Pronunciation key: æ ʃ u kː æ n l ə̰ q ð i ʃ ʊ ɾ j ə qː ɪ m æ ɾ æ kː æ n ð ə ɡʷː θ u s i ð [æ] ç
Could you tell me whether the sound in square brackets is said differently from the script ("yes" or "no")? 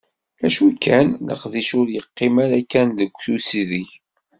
yes